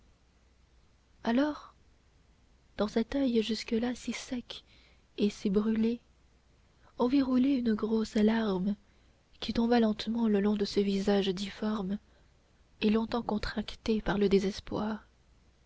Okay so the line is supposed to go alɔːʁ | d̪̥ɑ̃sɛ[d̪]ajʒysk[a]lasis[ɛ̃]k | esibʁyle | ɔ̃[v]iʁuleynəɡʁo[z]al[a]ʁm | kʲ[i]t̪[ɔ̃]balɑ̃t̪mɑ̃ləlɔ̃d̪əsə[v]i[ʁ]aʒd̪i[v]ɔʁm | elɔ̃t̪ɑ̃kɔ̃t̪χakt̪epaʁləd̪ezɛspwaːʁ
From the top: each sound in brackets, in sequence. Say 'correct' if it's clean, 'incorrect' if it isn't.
incorrect: t̪, incorrect: ə, incorrect: ɛ, correct, incorrect: s, correct, correct, correct, correct, incorrect: z, incorrect: f

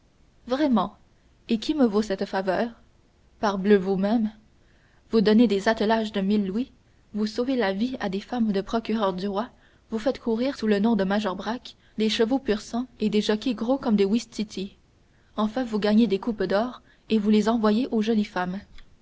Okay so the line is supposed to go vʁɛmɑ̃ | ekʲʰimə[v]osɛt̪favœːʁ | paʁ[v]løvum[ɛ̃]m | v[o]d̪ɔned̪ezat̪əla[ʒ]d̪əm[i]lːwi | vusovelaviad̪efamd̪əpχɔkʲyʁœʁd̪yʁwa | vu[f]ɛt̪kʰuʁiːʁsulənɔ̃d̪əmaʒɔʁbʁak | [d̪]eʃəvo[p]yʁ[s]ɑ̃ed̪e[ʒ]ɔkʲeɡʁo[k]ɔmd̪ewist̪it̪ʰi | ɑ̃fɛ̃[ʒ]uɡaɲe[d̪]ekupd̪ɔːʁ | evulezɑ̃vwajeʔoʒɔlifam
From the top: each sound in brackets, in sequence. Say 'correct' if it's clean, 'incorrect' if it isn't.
correct, incorrect: b, incorrect: ɛ, incorrect: u, correct, correct, correct, correct, correct, correct, correct, correct, incorrect: v, correct

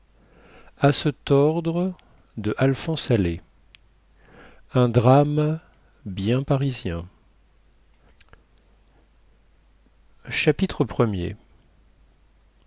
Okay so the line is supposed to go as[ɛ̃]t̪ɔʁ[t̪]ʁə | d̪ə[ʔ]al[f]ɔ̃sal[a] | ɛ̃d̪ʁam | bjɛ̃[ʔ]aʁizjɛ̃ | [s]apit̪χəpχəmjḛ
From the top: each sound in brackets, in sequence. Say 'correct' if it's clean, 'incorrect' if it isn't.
incorrect: ɛ, incorrect: d̪, correct, correct, incorrect: e, incorrect: p, incorrect: ʃ

